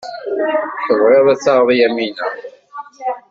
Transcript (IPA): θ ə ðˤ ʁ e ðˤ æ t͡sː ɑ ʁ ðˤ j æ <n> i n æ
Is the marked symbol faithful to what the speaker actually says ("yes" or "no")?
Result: no